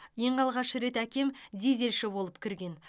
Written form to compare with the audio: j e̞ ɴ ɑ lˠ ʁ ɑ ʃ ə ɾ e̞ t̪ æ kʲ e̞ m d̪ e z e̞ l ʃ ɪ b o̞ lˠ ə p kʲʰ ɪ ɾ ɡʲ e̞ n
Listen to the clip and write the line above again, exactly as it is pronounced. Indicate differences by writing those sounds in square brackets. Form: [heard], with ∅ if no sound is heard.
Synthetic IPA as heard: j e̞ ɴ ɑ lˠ ʁ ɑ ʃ ə ɾ e̞ t̪ æ kʲ e̞ m d̪ e z e̞ l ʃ ɪ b o̞ lˠ ə p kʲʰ ɪ ɾ ɡʲ e̞ n